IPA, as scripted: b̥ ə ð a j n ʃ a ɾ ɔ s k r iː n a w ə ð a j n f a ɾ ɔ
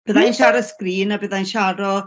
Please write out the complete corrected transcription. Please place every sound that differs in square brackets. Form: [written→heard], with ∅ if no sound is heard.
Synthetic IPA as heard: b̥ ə ð a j n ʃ a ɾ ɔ s k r iː n a [w→b] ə ð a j n [f→ʃ] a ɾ ɔ